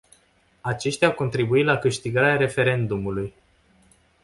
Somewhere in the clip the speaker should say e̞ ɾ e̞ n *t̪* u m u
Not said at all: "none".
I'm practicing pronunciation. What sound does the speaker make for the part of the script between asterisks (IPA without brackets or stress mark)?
d̪